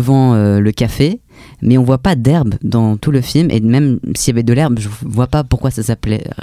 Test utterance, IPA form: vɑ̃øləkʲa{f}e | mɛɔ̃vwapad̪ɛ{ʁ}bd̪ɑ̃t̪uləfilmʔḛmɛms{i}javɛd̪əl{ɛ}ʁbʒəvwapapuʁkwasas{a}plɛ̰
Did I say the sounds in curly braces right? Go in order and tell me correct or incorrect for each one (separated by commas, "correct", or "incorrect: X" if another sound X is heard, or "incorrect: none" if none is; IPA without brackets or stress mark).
correct, correct, correct, correct, correct